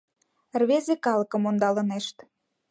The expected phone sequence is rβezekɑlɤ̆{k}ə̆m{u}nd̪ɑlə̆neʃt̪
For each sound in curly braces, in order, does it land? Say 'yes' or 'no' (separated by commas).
yes, no